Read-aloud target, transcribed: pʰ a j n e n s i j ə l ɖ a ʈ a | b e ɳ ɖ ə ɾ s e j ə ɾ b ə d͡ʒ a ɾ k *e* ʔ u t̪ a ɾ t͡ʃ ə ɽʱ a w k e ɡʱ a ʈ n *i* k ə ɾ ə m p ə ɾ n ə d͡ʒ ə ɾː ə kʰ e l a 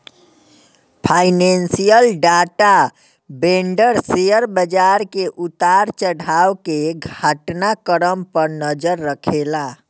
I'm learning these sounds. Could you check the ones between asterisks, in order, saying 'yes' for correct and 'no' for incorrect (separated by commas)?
yes, no